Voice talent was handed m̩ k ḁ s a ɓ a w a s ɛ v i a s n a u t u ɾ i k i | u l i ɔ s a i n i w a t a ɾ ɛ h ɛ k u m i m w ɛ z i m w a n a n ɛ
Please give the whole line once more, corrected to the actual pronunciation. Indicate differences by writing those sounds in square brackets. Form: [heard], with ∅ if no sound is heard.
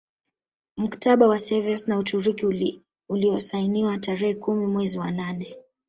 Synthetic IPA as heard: m̩ k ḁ [t] a ɓ a w a s ɛ v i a s n a u t u ɾ i k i | u l i ɔ s a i n i w a t a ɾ ɛ h ɛ k u m i m w ɛ z i [∅] w a n a n ɛ